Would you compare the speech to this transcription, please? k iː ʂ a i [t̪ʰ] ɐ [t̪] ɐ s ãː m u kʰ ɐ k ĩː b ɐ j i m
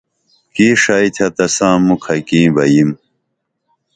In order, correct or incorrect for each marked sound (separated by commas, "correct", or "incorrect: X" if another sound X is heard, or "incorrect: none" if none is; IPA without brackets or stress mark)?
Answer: correct, correct